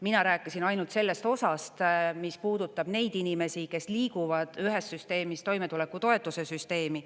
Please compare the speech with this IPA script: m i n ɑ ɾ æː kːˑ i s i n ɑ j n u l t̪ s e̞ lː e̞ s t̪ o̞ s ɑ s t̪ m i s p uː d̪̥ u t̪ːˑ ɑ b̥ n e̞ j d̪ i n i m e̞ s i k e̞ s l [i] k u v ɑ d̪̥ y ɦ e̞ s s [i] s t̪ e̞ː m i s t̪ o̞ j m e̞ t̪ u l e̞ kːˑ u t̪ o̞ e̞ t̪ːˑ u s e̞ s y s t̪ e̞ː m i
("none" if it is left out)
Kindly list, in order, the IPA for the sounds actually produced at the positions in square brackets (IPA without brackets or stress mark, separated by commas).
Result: iː, y